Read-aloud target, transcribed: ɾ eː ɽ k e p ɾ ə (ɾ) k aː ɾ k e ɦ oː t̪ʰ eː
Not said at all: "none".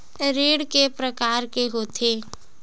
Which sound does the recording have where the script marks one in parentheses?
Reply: none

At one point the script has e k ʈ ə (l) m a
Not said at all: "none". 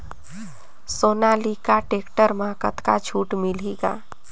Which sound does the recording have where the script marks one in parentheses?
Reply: ɾ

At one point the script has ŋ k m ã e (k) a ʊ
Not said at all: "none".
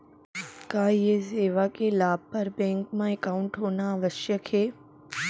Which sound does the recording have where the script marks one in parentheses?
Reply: k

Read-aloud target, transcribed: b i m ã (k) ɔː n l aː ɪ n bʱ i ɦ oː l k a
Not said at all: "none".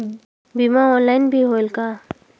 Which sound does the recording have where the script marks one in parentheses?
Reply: none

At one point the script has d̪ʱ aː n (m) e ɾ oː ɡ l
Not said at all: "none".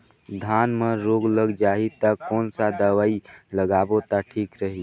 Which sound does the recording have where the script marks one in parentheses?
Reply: m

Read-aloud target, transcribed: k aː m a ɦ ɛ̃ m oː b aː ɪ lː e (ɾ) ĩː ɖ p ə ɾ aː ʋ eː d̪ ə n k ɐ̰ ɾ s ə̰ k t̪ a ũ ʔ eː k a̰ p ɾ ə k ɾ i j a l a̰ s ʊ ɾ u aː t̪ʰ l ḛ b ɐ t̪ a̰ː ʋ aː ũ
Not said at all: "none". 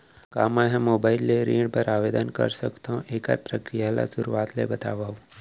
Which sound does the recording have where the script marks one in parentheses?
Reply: ɾ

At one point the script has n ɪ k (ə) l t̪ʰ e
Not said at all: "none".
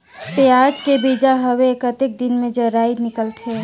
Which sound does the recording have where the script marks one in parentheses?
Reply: ə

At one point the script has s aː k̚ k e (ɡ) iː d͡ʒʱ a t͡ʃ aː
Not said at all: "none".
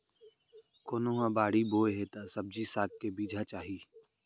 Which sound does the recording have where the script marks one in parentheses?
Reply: b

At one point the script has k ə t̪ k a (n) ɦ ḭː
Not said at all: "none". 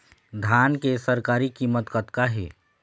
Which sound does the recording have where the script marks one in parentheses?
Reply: none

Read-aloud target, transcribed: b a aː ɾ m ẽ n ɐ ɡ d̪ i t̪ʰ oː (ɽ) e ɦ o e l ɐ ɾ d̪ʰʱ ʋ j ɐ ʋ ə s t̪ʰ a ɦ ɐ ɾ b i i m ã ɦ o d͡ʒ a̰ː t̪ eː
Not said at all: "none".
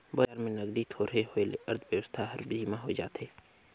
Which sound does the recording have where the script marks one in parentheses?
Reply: ɾ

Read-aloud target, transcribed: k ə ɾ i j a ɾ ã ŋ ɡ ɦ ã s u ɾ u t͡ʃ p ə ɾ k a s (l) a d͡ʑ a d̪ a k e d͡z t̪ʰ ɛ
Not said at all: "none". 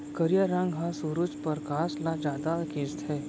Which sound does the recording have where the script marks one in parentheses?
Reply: l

